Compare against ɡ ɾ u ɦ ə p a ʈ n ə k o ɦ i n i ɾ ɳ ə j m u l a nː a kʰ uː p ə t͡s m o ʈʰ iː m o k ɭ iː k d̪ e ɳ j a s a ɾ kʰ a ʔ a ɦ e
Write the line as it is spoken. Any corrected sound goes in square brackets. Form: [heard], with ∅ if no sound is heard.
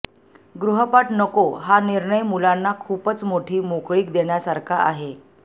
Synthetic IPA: ɡ ɾ u ɦ ə p a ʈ n ə k o ɦ [a] n i ɾ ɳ ə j m u l a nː a kʰ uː p ə t͡s m o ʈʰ iː m o k ɭ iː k d̪ e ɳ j a s a ɾ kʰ a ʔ a ɦ e